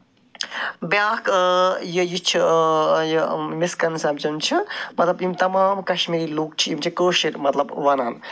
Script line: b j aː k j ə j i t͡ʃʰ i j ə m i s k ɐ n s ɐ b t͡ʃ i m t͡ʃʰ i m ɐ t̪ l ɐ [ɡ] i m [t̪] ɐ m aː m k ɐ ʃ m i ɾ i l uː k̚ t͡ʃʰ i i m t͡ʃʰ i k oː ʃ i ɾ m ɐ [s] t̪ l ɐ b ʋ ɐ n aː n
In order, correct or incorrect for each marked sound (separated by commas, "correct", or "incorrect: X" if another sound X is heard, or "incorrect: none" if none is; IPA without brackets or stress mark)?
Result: incorrect: b, correct, incorrect: none